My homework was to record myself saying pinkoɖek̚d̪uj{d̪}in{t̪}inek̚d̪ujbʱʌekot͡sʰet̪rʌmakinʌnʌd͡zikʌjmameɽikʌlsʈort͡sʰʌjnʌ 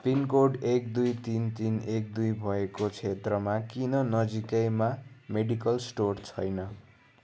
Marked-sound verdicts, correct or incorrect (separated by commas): incorrect, correct